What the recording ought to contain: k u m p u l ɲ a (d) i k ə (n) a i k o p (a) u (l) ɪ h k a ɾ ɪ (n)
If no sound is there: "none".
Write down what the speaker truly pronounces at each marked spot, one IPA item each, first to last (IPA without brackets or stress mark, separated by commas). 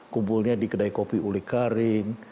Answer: d, d, i, l, ŋ